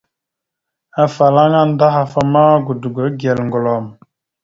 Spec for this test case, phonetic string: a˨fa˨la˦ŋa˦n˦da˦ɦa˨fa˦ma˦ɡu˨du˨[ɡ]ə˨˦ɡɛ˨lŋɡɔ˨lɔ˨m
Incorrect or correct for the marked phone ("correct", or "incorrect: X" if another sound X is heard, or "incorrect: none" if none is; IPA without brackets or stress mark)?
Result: correct